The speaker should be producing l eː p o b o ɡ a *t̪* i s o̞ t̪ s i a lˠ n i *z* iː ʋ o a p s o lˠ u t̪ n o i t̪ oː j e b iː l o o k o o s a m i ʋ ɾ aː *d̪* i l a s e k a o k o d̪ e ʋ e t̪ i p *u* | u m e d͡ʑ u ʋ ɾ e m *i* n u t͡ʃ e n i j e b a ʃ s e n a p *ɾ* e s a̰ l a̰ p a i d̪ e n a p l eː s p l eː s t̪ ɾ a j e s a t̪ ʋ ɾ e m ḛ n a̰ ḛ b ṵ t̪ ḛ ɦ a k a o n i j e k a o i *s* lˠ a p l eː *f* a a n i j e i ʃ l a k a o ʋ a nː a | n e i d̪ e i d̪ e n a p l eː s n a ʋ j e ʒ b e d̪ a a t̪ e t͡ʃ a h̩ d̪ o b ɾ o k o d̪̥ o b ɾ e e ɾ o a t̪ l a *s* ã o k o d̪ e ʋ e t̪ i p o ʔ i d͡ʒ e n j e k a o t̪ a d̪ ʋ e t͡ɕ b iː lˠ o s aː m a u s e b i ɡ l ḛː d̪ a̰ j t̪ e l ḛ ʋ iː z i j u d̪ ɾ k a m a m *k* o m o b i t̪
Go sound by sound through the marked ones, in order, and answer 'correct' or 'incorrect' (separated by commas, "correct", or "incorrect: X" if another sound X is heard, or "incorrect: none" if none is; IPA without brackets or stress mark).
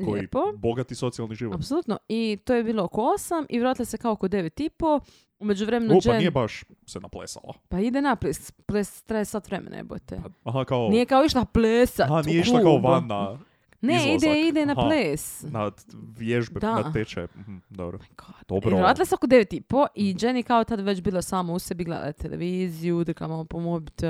correct, incorrect: ʒ, incorrect: t̪, incorrect: o, incorrect: e, incorrect: l, incorrect: ʃ, incorrect: s, correct, incorrect: p